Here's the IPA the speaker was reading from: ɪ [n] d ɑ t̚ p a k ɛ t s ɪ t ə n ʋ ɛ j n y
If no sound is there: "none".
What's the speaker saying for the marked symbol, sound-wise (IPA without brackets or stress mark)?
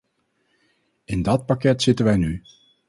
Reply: n